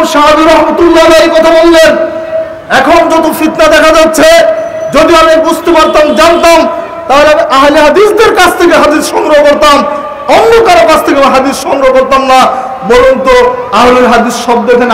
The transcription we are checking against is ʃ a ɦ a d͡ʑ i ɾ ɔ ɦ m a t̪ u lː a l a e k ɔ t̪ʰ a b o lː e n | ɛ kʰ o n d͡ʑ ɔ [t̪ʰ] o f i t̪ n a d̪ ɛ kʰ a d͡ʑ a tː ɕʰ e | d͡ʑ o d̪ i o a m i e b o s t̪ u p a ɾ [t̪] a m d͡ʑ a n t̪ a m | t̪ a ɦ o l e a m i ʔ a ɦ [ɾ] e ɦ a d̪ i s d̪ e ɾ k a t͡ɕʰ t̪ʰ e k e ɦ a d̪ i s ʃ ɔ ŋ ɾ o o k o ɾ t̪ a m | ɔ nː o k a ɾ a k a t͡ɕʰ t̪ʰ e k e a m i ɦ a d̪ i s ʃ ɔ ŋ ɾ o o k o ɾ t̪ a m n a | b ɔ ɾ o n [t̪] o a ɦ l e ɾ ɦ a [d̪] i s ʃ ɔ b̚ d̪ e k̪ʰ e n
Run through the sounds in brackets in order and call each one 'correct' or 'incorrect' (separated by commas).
incorrect, correct, incorrect, correct, correct